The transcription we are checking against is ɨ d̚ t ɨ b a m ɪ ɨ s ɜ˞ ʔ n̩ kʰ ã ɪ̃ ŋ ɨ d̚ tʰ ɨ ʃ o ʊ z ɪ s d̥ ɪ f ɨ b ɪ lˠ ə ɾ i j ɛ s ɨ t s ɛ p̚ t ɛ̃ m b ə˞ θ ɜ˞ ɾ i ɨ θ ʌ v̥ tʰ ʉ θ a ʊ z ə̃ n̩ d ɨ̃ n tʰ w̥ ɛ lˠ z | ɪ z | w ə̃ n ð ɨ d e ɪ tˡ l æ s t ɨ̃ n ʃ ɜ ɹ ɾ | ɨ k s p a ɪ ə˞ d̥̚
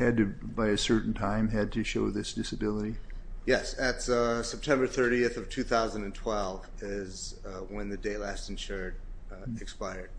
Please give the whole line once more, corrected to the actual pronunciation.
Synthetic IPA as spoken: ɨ d̚ t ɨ b a ɪ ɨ s ɜ˞ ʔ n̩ tʰ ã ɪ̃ m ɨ d̚ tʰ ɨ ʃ o ʊ ð ɪ s d̥ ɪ s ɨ b ɪ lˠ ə ɾ i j ɛ s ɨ t s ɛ p̚ tʰ ɛ̃ m b ə˞ θ ɜ˞ ɾ i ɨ θ ʌ v̥ tʰ ʉ θ a ʊ z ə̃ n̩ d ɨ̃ n tʰ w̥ ɛ lˠ v | ɪ z | w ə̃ n ð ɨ d e ɪ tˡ l æ s t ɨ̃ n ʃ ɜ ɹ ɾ | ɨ k s p a ɪ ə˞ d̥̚